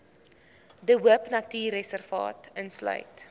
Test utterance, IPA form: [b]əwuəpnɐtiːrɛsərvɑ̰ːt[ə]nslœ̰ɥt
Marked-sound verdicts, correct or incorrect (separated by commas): incorrect, correct